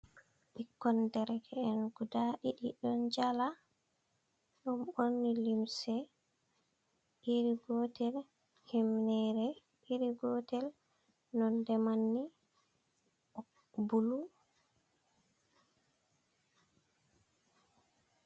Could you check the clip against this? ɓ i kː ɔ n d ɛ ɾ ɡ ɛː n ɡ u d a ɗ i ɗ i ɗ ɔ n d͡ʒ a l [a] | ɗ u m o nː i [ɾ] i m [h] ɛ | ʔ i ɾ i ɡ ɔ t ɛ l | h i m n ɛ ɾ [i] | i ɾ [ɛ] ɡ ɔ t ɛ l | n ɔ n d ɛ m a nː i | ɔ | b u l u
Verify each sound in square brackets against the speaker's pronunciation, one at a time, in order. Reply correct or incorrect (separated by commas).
correct, incorrect, incorrect, incorrect, incorrect